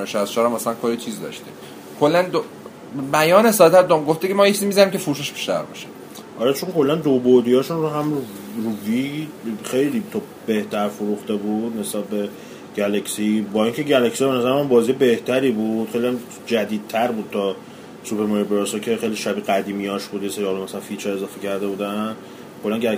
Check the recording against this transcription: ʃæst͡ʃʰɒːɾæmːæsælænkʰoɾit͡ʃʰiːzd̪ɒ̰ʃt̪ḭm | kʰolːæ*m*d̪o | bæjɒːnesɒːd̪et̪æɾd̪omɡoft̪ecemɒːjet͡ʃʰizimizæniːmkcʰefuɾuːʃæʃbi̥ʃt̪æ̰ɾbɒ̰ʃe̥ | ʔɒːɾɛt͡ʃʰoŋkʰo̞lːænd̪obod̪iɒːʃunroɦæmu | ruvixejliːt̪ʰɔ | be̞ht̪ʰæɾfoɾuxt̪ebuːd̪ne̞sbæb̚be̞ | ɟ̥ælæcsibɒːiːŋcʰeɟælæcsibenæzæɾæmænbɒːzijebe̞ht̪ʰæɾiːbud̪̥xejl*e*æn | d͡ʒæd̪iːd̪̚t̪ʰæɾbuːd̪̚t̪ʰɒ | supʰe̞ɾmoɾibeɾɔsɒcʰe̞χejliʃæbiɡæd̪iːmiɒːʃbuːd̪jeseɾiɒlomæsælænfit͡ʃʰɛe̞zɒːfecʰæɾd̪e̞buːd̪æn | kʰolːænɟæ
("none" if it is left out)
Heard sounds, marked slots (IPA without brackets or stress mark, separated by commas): n, i